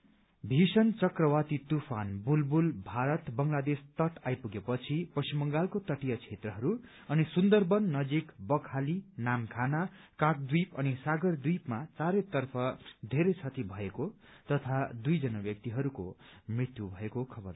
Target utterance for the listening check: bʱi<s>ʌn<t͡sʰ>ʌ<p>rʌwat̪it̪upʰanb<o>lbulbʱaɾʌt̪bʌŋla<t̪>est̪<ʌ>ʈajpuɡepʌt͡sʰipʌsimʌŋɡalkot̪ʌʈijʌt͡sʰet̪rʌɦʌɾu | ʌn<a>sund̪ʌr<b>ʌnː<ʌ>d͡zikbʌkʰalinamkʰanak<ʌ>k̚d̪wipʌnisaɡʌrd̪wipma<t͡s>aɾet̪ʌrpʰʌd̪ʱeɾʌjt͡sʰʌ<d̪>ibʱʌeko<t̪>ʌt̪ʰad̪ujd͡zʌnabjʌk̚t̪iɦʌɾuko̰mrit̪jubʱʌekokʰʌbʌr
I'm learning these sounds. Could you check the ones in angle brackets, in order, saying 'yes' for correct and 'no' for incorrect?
yes, no, no, no, no, yes, no, yes, yes, no, yes, no, yes

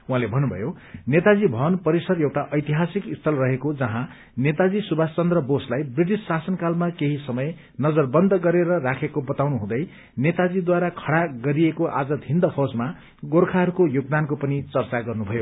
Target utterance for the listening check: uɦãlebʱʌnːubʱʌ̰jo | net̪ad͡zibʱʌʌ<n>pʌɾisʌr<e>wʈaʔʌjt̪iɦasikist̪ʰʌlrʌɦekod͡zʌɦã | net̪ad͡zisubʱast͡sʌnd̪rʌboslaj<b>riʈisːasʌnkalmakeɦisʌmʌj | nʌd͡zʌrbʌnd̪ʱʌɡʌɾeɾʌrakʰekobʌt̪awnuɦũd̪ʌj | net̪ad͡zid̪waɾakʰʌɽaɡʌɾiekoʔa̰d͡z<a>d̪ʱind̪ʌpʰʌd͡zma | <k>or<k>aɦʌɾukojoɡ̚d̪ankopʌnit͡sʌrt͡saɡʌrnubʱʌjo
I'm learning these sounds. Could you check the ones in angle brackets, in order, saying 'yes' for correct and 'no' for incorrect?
yes, yes, yes, no, no, no

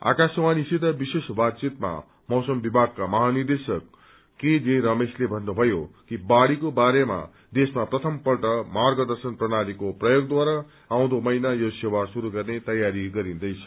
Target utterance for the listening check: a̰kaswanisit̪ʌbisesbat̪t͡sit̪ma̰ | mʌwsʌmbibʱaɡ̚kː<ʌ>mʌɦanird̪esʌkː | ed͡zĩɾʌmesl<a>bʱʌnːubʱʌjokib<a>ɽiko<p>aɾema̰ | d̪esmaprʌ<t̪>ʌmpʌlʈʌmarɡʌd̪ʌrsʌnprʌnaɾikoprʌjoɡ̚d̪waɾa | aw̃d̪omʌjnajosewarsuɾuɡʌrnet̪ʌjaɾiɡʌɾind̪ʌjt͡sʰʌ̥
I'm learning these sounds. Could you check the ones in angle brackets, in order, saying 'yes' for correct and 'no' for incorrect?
no, no, yes, no, no

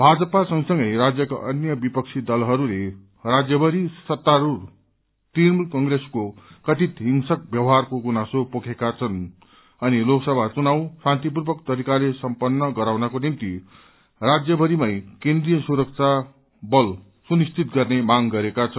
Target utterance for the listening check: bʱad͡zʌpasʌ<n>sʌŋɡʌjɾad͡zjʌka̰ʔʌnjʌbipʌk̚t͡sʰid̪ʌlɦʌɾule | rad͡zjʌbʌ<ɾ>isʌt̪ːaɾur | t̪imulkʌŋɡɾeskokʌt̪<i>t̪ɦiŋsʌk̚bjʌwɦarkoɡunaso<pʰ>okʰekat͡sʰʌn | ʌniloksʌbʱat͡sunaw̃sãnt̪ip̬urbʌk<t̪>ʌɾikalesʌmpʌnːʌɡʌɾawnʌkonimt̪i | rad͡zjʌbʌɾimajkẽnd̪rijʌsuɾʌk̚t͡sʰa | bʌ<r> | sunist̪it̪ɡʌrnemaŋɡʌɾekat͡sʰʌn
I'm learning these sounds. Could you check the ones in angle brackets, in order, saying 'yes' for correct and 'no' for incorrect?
no, yes, yes, no, yes, no

